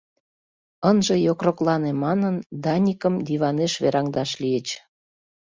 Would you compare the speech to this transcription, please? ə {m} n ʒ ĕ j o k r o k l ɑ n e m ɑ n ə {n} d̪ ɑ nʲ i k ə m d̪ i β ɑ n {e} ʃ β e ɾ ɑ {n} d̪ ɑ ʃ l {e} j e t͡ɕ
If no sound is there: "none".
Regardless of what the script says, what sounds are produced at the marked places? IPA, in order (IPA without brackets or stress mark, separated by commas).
none, n, e, ŋ, i